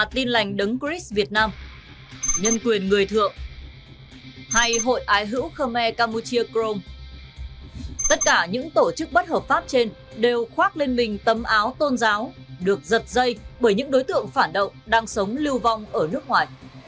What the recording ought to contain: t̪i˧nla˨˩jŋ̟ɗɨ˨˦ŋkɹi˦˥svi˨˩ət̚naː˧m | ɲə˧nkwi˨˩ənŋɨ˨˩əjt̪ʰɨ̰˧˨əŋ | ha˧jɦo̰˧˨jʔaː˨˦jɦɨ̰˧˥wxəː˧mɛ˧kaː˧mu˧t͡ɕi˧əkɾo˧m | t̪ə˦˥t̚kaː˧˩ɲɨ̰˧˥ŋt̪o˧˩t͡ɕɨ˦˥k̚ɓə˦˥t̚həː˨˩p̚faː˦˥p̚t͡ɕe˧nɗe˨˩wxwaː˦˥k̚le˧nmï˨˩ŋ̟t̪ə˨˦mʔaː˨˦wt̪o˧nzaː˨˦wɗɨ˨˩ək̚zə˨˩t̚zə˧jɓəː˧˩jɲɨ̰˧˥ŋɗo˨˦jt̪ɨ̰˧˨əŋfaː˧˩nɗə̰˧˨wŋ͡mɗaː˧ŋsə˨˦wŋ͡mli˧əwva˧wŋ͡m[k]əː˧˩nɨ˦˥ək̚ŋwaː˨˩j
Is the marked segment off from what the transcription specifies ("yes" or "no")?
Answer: yes